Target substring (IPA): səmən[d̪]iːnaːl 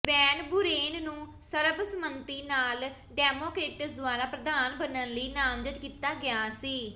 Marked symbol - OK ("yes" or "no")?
no